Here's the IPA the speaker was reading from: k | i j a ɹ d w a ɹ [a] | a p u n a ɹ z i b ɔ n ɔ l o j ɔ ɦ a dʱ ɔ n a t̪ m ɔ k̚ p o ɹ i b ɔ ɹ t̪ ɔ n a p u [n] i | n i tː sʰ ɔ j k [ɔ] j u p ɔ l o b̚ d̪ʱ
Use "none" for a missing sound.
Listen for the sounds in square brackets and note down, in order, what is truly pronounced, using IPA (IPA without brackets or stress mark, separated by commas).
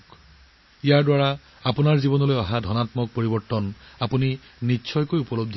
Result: a, n, o